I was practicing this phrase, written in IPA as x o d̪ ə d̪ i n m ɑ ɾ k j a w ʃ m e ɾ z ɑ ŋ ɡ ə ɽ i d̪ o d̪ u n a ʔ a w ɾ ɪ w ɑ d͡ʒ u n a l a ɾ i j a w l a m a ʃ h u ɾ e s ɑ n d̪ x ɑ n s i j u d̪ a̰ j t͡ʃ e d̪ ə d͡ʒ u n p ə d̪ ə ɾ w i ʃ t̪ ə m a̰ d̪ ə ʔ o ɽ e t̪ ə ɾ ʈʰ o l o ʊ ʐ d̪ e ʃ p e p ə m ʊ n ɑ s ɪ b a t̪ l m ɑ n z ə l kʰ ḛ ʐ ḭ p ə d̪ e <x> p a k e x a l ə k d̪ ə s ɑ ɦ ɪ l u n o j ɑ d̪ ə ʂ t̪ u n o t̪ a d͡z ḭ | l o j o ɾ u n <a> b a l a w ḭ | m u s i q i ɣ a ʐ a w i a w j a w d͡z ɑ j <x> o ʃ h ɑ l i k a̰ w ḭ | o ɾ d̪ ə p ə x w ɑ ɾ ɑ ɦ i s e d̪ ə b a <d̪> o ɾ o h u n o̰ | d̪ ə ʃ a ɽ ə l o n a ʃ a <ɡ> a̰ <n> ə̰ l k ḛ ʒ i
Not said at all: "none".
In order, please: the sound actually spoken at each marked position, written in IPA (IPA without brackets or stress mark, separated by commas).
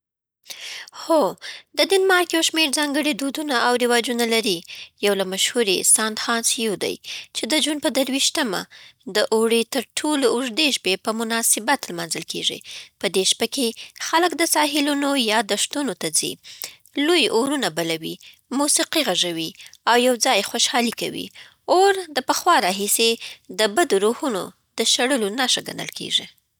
ʃ, a, x, d̪, ɡ, n